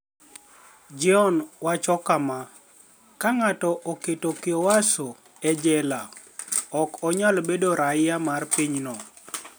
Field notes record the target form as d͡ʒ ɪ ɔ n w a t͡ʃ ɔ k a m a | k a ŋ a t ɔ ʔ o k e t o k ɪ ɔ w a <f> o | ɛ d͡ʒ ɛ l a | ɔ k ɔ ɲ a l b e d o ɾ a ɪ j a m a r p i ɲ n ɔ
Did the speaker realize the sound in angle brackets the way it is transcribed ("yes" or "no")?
no